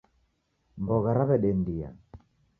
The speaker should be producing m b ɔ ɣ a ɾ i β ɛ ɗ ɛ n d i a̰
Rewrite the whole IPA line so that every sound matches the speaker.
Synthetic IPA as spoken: m b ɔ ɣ a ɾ a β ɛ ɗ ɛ n d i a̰